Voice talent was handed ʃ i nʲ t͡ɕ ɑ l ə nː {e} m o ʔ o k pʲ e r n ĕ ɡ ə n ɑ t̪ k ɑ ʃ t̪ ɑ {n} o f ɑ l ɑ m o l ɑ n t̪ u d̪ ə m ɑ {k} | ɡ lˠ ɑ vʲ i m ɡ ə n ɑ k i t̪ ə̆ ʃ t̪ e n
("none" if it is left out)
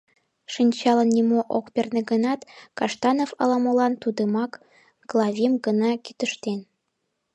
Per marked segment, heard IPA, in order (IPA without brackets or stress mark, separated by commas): i, n, k